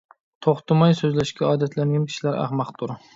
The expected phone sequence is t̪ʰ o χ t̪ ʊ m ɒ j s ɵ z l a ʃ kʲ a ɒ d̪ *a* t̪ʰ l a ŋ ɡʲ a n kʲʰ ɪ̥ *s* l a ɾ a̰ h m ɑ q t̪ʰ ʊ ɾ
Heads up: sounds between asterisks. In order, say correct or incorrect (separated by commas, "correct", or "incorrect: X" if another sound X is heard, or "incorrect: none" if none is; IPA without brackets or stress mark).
correct, incorrect: ʃ